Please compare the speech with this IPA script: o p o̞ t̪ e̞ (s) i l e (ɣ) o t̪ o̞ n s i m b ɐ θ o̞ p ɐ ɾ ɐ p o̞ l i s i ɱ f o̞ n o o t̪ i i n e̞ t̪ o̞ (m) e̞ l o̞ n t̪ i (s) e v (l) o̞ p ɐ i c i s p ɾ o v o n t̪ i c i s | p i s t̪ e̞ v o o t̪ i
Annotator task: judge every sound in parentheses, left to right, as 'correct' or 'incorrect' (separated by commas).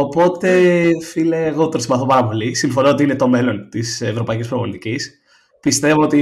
incorrect, correct, correct, correct, incorrect